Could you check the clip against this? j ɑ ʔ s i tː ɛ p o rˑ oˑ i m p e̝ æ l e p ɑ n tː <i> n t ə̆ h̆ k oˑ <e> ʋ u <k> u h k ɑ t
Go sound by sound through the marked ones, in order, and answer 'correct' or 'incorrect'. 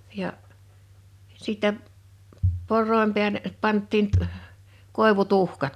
incorrect: iː, correct, incorrect: t

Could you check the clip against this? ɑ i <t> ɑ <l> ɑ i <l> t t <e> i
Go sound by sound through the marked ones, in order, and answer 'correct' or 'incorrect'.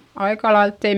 incorrect: k, correct, correct, correct

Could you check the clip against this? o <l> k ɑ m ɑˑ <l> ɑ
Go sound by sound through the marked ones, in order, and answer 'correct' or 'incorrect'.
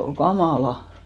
correct, correct

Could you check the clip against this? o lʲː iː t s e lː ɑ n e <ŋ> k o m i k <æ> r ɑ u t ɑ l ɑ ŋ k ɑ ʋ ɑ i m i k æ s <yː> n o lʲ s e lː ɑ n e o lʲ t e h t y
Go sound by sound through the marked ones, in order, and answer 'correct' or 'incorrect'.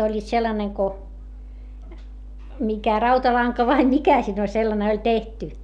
correct, correct, incorrect: iː

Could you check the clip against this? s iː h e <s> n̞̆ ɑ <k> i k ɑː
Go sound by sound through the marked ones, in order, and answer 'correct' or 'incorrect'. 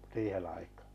incorrect: none, incorrect: none

